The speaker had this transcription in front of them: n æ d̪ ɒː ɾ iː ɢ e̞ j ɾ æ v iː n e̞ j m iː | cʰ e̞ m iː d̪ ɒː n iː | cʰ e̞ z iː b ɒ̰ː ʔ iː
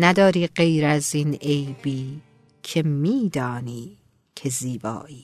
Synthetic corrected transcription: n æ d̪ ɒː ɾ iː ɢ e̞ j ɾ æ z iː n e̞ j b iː | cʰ e̞ m iː d̪ ɒː n iː | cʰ e̞ z iː b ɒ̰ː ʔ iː